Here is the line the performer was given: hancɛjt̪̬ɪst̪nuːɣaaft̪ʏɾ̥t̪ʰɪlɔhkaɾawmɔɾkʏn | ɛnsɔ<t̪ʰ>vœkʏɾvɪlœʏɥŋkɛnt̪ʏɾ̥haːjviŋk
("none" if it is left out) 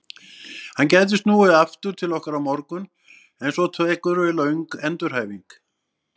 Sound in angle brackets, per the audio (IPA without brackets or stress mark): t̪ʰ